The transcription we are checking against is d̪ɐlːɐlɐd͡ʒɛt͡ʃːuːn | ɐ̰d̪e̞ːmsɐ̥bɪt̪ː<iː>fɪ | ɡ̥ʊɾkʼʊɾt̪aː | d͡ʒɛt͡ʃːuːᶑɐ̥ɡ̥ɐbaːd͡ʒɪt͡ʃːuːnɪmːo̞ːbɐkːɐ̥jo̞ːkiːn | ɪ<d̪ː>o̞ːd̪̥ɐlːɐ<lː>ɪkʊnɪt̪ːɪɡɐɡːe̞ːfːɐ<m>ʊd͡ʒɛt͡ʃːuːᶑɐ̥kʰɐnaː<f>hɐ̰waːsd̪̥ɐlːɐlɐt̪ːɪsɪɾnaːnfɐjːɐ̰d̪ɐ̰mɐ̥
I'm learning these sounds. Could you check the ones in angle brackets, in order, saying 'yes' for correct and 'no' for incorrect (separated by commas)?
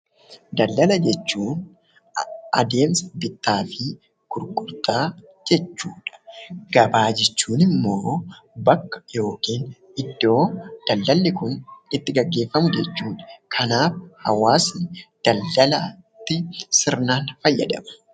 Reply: no, yes, yes, yes, yes